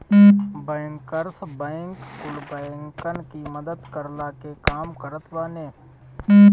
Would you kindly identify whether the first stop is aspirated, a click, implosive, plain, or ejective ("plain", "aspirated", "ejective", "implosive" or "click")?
plain